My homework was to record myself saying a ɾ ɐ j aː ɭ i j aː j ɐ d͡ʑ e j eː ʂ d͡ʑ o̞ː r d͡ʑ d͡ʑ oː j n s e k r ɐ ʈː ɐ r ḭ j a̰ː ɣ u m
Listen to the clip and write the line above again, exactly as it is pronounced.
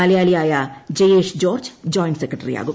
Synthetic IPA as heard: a l ɐ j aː l i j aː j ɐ d͡ʑ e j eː ʂ d͡ʑ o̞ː r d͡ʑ d͡ʑ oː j n s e k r ɐ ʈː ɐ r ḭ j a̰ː ɣ u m